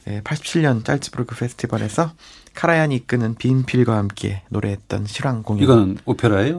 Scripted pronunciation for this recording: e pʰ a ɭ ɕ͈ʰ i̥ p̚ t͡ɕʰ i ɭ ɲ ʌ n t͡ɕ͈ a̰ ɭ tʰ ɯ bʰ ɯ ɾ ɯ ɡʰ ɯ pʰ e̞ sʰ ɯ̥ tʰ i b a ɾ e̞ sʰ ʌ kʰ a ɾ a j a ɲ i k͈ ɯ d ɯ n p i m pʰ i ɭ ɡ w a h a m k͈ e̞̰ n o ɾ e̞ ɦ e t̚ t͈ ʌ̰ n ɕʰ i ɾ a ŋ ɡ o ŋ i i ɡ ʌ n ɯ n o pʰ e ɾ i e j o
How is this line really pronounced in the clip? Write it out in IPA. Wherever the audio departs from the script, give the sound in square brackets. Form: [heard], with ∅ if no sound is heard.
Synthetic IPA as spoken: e pʰ a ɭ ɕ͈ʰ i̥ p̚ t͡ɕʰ i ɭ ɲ ʌ n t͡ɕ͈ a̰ ɭ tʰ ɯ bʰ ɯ ɾ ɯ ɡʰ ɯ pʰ e̞ sʰ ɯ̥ tʰ i b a ɾ e̞ sʰ ʌ kʰ a ɾ a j a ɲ i k͈ ɯ [n] ɯ n p i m pʰ i ɭ ɡ w a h a m k͈ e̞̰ n o ɾ e̞ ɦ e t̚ t͈ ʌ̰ n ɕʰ i ɾ a ŋ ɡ o ŋ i i ɡ ʌ n ɯ n o pʰ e ɾ [a] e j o